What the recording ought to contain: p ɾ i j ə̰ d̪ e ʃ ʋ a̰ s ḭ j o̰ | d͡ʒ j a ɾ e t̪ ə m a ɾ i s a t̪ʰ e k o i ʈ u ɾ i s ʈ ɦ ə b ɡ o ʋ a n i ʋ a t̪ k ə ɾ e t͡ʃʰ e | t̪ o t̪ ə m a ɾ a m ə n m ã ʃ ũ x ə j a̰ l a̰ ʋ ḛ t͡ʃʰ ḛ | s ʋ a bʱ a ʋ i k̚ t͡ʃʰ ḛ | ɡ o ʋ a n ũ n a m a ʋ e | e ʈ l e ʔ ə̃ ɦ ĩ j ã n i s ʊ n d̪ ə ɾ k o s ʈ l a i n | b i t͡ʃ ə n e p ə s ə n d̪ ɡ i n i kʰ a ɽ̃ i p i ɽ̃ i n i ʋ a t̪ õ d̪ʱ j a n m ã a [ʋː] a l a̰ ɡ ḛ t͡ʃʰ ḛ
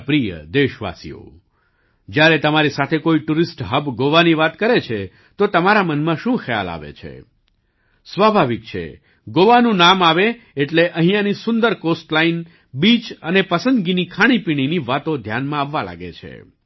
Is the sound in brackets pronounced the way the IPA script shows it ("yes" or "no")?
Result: yes